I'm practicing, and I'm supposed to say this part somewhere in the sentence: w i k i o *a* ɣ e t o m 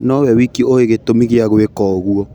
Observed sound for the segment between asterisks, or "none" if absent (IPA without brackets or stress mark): e